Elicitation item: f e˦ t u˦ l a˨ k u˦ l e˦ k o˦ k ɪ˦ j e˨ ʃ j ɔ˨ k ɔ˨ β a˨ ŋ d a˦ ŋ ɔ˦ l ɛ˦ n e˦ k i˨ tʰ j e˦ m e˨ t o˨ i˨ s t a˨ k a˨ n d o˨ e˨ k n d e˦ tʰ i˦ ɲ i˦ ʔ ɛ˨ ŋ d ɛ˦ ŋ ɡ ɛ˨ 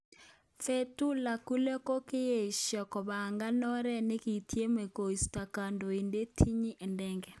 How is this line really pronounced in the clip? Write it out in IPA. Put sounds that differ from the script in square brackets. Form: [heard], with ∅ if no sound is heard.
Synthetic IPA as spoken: f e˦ t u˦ l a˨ k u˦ l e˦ k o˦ k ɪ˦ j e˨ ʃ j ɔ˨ k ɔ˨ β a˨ ŋ [ɡ] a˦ [n] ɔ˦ [ɾ] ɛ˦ n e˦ k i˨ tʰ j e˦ m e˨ [k] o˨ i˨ s t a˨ k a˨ n d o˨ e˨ [∅] n d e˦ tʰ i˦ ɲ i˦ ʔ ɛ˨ [n] d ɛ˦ ŋ ɡ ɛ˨